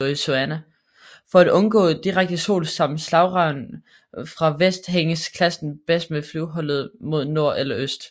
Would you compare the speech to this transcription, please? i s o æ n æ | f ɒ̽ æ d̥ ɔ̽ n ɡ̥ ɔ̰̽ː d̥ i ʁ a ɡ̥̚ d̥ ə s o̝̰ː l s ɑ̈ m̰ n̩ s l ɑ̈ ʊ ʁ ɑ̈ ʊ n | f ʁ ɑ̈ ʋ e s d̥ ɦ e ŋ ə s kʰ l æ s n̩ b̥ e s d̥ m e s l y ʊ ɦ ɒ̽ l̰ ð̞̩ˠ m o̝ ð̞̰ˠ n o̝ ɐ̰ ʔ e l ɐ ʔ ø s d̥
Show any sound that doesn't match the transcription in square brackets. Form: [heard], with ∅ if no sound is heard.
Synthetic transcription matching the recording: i s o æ n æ | f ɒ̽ æ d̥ ɔ̽ n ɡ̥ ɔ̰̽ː d̥ i ʁ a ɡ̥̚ d̥ ə s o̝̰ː l s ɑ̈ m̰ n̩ s l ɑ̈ ʊ ʁ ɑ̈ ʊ n | f ʁ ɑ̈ ʋ e s d̥ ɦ e ŋ ə s kʰ l æ s n̩ b̥ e s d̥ m e [f] l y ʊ ɦ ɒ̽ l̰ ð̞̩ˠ m o̝ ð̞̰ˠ n o̝ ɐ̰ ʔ e l ɐ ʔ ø s d̥

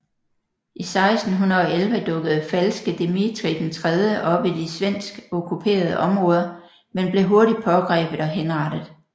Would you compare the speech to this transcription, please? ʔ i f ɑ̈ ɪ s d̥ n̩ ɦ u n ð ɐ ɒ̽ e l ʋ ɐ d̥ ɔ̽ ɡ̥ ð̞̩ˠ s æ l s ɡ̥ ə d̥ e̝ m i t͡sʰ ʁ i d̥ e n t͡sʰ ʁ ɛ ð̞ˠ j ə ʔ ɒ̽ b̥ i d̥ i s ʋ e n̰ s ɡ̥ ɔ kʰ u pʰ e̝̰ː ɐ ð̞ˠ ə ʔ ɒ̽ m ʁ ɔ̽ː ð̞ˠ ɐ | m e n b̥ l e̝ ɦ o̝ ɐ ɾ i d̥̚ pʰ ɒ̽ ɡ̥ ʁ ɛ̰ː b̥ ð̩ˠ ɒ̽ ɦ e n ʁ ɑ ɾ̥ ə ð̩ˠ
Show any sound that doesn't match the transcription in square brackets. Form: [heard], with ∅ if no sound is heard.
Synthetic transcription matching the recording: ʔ i [s] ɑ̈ ɪ s d̥ n̩ ɦ u n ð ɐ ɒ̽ e l ʋ [ə] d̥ ɔ̽ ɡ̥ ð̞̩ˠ [f] æ l s ɡ̥ ə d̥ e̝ m i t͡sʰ ʁ i d̥ e n t͡sʰ ʁ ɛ ð̞ˠ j ə ʔ ɒ̽ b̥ i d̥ i s ʋ e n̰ s ɡ̥ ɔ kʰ u pʰ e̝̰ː ɐ ð̞ˠ ə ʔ ɒ̽ m ʁ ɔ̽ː ð̞ˠ ɐ | m e n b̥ l e̝ ɦ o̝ ɐ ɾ i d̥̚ pʰ ɒ̽ ɡ̥ ʁ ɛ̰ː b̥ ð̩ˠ ɒ̽ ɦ e n ʁ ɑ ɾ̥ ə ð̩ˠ

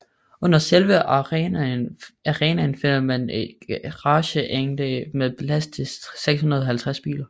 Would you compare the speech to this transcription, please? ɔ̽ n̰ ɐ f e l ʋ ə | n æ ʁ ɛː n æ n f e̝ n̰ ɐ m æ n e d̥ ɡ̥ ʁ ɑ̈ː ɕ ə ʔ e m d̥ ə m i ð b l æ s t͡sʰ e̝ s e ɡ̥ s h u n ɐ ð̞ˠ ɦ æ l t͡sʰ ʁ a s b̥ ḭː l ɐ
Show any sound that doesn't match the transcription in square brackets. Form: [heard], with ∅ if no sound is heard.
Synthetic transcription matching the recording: ɔ̽ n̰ ɐ [s] e l ʋ ə | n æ ʁ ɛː n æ n f e̝ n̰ ɐ m æ n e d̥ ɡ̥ ʁ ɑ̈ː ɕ ə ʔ e [ŋ] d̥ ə m [e] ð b l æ s t͡sʰ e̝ s e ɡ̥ s h u n ɐ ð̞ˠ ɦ æ l t͡sʰ ʁ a s b̥ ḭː l ɐ

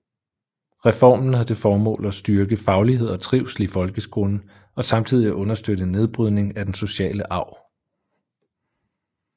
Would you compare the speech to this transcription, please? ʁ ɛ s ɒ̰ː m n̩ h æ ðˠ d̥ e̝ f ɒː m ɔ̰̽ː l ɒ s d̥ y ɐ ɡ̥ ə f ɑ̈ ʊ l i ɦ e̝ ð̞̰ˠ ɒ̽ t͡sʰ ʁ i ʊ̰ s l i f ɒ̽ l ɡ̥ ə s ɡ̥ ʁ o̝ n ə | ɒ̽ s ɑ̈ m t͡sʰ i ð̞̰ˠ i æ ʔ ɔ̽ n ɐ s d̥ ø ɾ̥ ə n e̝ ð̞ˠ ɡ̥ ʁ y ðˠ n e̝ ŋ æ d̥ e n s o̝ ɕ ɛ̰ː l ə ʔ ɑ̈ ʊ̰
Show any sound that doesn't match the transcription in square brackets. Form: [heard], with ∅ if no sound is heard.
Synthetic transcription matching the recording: ʁ ɛ [f] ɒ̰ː m n̩ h æ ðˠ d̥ e̝ f ɒː m ɔ̰̽ː l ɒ s d̥ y ɐ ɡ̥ ə f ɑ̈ ʊ l i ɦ e̝ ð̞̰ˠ ɒ̽ t͡sʰ ʁ i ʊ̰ s l i f ɒ̽ l ɡ̥ ə s ɡ̥ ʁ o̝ n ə | ɒ̽ s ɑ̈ m t͡sʰ i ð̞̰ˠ i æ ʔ ɔ̽ n ɐ s d̥ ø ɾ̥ ə n e̝ ð̞ˠ [b̥] ʁ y ðˠ n e̝ ŋ æ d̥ e n s o̝ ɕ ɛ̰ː l ə ʔ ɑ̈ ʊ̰

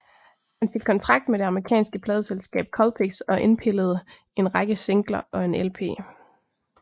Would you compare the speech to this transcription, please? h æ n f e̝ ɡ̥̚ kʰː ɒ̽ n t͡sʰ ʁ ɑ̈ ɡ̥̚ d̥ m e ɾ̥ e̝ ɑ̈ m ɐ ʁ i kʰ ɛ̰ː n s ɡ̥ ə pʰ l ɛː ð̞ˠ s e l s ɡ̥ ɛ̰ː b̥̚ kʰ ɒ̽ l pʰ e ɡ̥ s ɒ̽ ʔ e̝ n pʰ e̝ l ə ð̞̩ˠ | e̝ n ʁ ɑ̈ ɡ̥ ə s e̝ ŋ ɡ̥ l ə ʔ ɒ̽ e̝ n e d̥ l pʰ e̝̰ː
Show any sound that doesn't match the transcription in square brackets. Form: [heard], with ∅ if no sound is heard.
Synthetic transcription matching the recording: h æ n f e̝ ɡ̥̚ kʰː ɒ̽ n t͡sʰ ʁ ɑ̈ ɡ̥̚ d̥ m e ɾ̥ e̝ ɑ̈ m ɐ ʁ i kʰ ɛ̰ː n s ɡ̥ ə pʰ l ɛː ð̞ˠ s e l s ɡ̥ ɛ̰ː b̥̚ kʰ ɒ̽ l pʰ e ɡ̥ s ɒ̽ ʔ e̝ n pʰ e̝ l ə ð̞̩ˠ | e̝ n ʁ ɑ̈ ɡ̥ ə s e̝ ŋ ɡ̥ l [ɐ] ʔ ɒ̽ e̝ n e [∅] l pʰ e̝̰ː

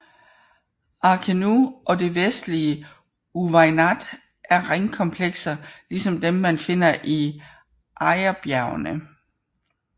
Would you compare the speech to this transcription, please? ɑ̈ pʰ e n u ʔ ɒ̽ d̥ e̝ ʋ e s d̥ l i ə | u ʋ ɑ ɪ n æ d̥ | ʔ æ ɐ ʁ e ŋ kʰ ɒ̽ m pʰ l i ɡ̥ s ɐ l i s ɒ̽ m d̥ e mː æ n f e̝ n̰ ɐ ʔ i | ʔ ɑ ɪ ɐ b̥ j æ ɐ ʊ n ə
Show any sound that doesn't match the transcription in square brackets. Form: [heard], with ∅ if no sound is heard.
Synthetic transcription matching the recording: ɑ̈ [kʰ] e n u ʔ ɒ̽ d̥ e̝ ʋ e s d̥ l i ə | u ʋ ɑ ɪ n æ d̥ | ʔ æ ɐ ʁ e ŋ kʰ ɒ̽ m pʰ l [e] ɡ̥ s ɐ l i s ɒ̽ m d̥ e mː æ n f e̝ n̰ ɐ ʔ i | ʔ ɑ ɪ ɐ b̥ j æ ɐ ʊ n ə

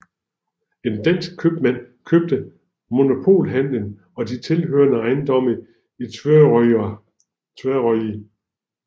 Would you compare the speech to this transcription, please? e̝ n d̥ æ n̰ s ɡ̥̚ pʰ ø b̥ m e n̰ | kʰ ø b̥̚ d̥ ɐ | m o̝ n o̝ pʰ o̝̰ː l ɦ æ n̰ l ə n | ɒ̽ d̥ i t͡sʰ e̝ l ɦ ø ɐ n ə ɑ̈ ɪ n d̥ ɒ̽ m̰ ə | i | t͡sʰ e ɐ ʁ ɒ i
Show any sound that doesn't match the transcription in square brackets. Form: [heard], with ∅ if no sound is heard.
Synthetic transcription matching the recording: e̝ n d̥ æ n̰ s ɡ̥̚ [kʰ] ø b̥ m [æ] n̰ | kʰ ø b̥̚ d̥ [ə] | m o̝ n o̝ pʰ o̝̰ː l ɦ æ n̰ l ə n | ɒ̽ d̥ i t͡sʰ e̝ l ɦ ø ɐ n ə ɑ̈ ɪ n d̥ ɒ̽ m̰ ə | i | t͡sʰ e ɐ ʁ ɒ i

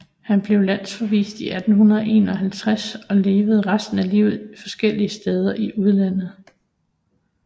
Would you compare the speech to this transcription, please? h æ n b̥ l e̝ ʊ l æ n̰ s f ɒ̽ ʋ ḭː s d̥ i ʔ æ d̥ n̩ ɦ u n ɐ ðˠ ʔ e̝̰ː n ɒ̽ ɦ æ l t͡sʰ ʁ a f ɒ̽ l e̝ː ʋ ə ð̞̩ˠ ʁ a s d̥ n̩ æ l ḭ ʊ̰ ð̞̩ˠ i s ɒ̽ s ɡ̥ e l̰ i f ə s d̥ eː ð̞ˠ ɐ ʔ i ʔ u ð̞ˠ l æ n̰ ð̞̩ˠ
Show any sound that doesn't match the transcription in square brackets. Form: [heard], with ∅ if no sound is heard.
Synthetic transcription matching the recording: h æ n b̥ l e̝ ʊ l æ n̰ s f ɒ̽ ʋ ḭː s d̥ i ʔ æ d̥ n̩ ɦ u n ɐ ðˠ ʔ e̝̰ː n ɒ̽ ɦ æ l t͡sʰ ʁ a [s] ɒ̽ l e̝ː ʋ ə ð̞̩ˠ ʁ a s d̥ n̩ æ l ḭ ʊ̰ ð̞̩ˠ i [f] ɒ̽ s ɡ̥ e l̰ i [∅] ə s d̥ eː ð̞ˠ ɐ ʔ i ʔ u ð̞ˠ l æ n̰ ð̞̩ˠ

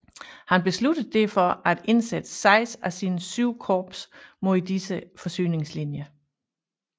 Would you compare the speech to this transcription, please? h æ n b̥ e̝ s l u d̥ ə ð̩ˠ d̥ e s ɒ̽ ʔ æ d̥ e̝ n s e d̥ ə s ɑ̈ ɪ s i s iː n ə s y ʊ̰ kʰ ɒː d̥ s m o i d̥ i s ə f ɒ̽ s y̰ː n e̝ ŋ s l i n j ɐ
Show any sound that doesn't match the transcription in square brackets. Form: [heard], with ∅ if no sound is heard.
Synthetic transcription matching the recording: h æ n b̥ e̝ s l u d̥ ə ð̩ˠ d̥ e [f] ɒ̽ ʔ æ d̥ e̝ n s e d̥ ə s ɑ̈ ɪ s [æ] s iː n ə s y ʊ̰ kʰ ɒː [b̥] s m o i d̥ i s ə f ɒ̽ s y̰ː n e̝ ŋ s l i n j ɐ

